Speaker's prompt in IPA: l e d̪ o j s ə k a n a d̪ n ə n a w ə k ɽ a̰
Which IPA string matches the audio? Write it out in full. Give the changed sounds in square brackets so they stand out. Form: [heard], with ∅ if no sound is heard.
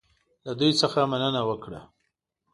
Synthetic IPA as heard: l [a] d̪ [u] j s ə [x] a [m] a [∅] n ə n a w ə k ɽ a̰